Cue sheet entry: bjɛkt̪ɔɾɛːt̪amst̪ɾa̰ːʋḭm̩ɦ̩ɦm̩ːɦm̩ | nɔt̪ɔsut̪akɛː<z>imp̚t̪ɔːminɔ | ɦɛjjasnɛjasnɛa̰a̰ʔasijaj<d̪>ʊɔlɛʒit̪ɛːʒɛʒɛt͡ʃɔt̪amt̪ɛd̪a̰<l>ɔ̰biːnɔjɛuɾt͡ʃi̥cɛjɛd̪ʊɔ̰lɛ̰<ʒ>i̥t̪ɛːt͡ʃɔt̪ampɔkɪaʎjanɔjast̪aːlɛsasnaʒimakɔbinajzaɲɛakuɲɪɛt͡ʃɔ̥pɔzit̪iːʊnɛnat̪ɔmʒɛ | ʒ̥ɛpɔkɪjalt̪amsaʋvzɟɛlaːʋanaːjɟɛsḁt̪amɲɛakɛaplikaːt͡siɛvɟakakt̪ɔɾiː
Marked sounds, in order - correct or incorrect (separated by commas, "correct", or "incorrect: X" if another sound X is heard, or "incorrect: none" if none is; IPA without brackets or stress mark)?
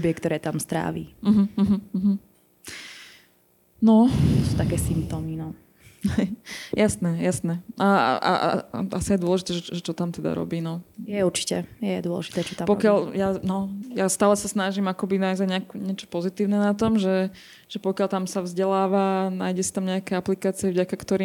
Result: incorrect: s, correct, incorrect: ɾ, correct